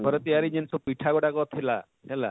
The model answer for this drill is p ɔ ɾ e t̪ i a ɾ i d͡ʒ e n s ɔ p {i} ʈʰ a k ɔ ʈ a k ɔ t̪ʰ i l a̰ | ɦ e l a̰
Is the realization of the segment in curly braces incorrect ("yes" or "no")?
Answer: no